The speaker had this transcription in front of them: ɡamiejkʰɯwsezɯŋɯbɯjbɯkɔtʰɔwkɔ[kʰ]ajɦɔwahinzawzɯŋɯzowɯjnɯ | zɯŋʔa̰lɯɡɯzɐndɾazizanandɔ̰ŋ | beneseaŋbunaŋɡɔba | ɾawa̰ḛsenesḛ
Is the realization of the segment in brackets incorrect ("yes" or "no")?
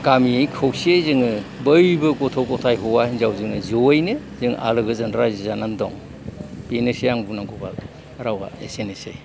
yes